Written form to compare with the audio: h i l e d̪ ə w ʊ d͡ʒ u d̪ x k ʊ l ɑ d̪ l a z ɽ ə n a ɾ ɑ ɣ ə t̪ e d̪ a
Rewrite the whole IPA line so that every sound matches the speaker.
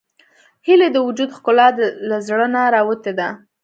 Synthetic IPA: h i l e d̪ ə w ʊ d͡ʒ u d̪ x k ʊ l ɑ d̪ l a z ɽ ə n a ɾ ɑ w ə t̪ e d̪ a